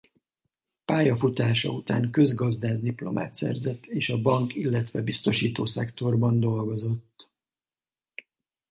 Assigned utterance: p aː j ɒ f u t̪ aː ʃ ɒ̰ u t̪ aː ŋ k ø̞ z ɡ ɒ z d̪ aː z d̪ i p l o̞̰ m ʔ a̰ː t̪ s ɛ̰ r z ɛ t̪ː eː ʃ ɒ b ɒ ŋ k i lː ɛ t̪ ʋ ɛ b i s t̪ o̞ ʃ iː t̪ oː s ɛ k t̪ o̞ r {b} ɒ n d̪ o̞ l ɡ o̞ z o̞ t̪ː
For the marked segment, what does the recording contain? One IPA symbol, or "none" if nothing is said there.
b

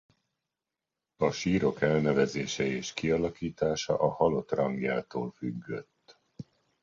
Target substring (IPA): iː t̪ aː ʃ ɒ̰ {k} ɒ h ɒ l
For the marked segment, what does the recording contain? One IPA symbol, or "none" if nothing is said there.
ʔ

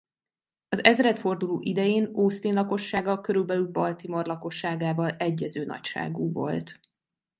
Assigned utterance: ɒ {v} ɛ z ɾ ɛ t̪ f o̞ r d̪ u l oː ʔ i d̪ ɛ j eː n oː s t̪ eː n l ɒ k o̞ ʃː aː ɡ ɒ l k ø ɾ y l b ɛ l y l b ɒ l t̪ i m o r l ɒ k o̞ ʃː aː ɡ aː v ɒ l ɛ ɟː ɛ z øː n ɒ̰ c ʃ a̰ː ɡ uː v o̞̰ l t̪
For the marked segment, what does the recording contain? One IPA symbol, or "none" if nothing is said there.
z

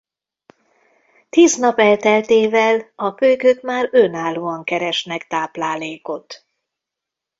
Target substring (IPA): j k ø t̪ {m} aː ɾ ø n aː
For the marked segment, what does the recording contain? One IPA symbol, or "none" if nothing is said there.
m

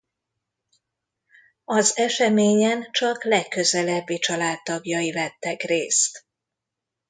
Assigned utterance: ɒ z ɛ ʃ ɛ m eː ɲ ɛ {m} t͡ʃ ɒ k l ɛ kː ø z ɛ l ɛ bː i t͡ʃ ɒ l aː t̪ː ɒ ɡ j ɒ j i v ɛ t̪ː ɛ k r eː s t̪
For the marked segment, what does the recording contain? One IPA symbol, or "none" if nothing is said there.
n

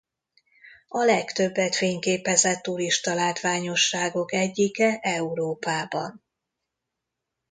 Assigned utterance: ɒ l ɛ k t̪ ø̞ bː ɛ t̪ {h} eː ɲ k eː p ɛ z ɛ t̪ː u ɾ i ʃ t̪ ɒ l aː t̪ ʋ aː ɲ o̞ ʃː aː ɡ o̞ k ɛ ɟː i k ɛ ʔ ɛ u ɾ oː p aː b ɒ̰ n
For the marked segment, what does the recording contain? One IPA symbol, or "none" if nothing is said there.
f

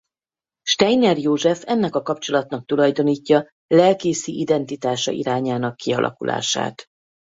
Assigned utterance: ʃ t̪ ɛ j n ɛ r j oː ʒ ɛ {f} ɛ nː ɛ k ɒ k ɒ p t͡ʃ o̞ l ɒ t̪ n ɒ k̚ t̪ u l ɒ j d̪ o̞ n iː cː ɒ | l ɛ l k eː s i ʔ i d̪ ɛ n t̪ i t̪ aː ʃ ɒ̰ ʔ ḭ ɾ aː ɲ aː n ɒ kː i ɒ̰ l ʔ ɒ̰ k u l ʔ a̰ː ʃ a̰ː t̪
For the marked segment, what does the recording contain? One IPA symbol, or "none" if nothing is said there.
f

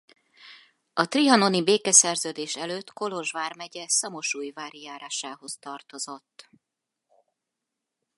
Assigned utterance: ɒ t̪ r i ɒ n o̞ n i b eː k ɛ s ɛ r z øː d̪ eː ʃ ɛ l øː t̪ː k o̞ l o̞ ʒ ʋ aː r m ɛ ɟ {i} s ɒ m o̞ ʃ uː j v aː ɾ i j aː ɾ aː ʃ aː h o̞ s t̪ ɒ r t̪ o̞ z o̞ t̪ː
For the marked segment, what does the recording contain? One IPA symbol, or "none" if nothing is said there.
ɛ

